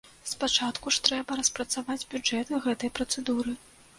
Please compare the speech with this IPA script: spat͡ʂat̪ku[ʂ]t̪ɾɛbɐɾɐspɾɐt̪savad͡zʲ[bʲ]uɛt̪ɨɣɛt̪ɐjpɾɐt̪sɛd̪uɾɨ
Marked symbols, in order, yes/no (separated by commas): yes, yes